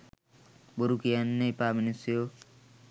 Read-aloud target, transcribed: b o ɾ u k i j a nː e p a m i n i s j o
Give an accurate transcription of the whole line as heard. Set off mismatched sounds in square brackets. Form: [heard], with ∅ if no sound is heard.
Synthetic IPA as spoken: b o ɾ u k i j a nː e p a m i n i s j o